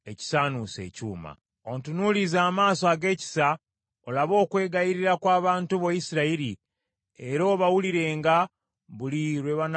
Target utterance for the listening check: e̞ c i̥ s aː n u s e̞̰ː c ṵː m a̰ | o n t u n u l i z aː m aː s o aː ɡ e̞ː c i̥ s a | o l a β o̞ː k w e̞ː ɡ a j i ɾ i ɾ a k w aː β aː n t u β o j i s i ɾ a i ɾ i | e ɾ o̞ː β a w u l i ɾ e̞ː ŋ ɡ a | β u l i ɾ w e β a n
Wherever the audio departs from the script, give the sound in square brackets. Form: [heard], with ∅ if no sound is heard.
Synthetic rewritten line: e̞ c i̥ s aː n u s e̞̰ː c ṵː m a̰ | o n t u n u l i z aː m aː s o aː ɡ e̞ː c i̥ s a | o l a β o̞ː k w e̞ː ɡ a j i ɾ i ɾ a k w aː β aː n t u β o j i s i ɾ a i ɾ i | e ɾ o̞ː β a w u l i ɾ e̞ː ŋ ɡ a | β u l i ɾ w e β a n

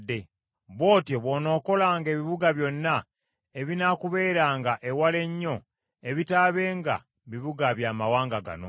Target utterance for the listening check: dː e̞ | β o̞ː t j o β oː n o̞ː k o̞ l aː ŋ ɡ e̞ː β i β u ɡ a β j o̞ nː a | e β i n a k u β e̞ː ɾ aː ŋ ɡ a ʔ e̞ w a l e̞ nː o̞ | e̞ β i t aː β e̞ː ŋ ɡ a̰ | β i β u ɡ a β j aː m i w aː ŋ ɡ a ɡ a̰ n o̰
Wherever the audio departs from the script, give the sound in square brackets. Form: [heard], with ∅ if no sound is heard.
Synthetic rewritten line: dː e̞ | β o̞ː t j o β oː n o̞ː k o̞ l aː ŋ ɡ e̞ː β i β u ɡ a β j o̞ nː a | e β i n a k u β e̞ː ɾ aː ŋ ɡ a ʔ e̞ w a l e̞ [ɲː] o̞ | e̞ β i t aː β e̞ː ŋ ɡ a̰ | β i β u ɡ a β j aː m [a] w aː ŋ ɡ a ɡ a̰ n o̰

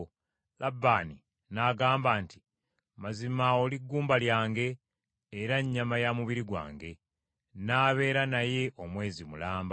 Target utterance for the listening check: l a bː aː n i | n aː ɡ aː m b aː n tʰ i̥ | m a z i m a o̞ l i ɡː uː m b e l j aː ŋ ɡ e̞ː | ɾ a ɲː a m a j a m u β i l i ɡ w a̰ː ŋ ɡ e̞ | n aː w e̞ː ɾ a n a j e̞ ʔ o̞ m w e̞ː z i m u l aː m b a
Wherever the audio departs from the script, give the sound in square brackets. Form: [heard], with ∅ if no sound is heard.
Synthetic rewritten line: l a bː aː n i | n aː ɡ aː m b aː n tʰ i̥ | m a z i m a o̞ l i ɡː uː m b [a] l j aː ŋ ɡ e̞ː | ɾ a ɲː a m a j a m u β i [ɾ] i ɡ w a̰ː ŋ ɡ e̞ | n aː [β] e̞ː ɾ a n a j e̞ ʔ o̞ m w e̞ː z i m u l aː m b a

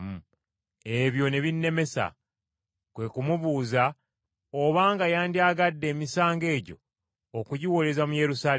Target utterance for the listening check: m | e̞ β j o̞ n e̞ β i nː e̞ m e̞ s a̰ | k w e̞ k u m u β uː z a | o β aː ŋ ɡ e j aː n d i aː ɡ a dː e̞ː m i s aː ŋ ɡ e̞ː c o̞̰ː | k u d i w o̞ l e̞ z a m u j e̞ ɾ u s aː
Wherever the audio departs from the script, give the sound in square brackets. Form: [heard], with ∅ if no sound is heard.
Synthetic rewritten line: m | e̞ β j o̞ n e̞ β i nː e̞ m e̞ s a̰ | k w e̞ k u m u β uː z a | o β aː ŋ ɡ [a] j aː n d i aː ɡ a dː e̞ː m i s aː ŋ ɡ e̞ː [ɟ] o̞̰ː | k u [ɟ] i w o̞ l e̞ z a m u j e̞ ɾ u s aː

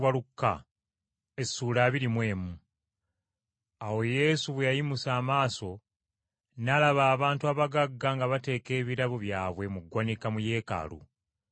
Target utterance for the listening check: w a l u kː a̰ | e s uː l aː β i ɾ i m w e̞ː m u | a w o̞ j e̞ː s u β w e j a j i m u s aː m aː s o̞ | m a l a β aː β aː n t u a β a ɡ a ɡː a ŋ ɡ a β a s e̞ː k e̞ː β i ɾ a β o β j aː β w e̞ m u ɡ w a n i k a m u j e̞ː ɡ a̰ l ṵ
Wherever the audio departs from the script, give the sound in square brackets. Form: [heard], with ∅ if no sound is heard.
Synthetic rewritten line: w a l u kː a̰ | e s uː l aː β i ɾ i m w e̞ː m u | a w o̞ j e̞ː s u β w e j a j i m u s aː m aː s o̞ | [n] a l a β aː β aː n t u a β a ɡ a ɡː a ŋ ɡ a β a [t] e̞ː k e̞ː β i ɾ a β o β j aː β w e̞ m u ɡ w a n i k a m u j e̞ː [k] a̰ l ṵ

